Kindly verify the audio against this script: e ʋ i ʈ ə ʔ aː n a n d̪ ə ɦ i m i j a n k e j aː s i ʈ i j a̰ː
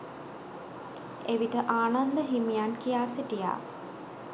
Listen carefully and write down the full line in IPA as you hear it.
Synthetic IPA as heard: e ʋ i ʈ ə ʔ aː n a n d̪ ə ɦ i m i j a n k i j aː s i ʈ i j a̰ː